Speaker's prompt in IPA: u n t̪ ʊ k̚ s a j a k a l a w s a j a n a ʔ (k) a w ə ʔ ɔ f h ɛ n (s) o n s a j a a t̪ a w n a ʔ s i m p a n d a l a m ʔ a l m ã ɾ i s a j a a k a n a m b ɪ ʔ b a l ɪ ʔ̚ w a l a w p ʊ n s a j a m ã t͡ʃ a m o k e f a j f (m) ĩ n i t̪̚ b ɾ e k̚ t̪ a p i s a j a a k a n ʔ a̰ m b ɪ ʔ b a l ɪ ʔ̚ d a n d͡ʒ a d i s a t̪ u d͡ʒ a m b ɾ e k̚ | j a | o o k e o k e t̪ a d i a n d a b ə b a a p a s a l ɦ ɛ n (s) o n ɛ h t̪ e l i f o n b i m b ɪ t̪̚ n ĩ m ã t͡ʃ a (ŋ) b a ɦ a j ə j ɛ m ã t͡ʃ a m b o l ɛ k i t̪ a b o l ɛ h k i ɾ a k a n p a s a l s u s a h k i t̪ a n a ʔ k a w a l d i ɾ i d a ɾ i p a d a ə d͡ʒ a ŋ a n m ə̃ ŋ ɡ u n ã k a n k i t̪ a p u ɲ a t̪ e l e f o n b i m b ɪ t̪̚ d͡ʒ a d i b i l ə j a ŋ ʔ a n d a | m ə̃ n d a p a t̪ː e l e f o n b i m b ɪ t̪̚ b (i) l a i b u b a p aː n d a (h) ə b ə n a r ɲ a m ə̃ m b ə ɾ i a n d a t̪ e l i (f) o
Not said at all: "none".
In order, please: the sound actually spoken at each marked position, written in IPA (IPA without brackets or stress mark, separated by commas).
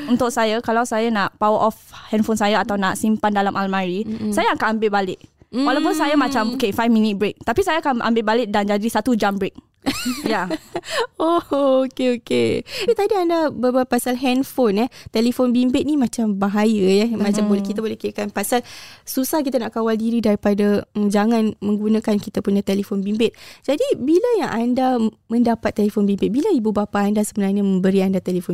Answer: p, f, m, f, m, i, s, f